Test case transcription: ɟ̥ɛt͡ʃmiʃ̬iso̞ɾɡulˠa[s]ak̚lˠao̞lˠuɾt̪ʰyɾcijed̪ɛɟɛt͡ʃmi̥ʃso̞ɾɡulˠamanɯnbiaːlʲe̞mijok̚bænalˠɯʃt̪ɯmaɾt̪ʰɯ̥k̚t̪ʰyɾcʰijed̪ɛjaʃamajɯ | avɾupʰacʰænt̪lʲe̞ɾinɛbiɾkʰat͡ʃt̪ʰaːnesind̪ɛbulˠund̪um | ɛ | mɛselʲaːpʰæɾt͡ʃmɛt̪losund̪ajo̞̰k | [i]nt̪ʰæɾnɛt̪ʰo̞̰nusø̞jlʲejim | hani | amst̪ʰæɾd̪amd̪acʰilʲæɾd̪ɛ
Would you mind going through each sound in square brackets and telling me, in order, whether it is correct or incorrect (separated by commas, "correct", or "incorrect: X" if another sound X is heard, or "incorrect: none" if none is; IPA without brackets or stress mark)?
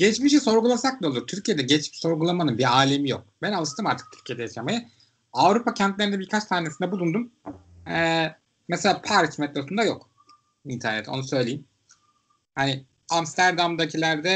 correct, correct